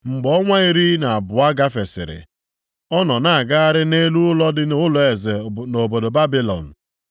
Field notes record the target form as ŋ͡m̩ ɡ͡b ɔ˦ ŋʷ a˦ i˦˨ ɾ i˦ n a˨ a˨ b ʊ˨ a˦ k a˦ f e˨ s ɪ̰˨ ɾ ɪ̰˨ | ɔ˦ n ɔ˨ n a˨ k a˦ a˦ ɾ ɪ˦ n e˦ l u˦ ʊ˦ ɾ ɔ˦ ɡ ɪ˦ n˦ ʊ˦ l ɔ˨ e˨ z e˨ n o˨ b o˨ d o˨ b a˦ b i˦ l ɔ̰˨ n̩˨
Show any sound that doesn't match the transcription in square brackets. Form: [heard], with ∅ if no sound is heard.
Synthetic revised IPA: ŋ͡m̩ ɡ͡b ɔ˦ ŋʷ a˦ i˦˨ ɾ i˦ n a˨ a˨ b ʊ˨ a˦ [ɡ] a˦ f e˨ s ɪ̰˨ ɾ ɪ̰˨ | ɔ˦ n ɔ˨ n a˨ [ɡ] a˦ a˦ ɾ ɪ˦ n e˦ l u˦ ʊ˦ [l] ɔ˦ [d] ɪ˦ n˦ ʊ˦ l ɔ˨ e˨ z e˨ n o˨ b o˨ d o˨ b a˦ b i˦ l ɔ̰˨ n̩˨

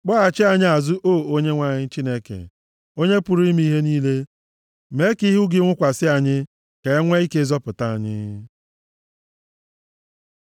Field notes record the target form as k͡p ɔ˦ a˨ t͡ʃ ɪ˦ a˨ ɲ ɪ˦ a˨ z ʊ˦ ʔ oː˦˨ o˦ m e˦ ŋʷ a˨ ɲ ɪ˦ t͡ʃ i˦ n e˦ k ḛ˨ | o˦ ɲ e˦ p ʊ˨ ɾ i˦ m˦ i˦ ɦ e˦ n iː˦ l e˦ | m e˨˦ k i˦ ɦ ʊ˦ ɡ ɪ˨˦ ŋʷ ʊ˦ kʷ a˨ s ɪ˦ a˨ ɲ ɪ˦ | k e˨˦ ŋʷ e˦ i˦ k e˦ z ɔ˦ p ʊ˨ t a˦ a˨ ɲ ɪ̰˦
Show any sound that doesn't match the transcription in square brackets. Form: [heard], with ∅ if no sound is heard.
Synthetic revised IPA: k͡p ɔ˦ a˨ t͡ʃ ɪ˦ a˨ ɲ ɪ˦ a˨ z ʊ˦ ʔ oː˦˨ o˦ [ɲ] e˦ ŋʷ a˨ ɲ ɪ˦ t͡ʃ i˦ n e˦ k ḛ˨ | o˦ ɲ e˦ p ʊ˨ ɾ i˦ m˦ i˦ ɦ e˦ n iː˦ l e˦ | m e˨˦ k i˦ ɦ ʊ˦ ɡ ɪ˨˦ ŋʷ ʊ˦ kʷ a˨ s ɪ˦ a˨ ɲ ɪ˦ | k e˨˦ ŋʷ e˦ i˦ k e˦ z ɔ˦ p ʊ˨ t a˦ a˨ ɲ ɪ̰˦

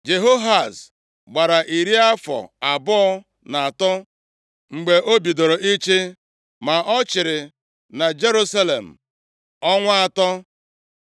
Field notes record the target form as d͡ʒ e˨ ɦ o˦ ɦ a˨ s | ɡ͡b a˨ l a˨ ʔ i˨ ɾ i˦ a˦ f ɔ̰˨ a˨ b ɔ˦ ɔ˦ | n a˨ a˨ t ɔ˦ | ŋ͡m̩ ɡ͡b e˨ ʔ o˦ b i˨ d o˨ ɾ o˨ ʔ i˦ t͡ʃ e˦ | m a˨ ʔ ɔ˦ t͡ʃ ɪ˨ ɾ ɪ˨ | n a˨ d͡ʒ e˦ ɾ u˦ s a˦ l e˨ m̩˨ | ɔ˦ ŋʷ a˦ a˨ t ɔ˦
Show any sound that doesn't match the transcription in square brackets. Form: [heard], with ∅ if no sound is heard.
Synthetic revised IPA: d͡ʒ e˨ ɦ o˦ ɦ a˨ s | ɡ͡b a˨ [ɾ] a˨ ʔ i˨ ɾ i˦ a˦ f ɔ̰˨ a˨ b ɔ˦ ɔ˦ | n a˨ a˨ t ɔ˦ | ŋ͡m̩ ɡ͡b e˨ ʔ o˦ b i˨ d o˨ ɾ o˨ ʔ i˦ t͡ʃ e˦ | m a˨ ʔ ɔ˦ t͡ʃ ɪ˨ ɾ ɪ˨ | n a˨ d͡ʒ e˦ ɾ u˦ s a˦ l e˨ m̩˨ | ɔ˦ ŋʷ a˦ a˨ t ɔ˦

